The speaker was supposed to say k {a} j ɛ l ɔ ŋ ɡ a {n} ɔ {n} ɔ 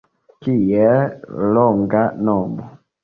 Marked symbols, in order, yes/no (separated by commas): no, yes, no